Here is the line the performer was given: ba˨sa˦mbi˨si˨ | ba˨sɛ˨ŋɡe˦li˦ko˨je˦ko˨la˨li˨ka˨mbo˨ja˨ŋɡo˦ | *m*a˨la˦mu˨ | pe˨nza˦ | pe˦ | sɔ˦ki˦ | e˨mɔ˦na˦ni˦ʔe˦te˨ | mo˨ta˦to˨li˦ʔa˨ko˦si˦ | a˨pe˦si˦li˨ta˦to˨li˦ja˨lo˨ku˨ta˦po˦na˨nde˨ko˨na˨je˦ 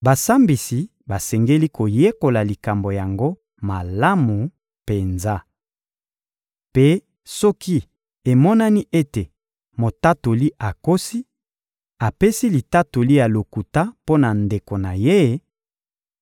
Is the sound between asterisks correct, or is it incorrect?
correct